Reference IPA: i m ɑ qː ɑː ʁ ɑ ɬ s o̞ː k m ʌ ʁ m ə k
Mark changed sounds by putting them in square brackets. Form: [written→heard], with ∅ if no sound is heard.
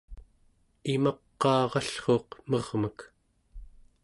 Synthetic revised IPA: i m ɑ qː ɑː ʁ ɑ ɬ [s→χ] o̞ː [k→q] m ʌ ʁ m ə k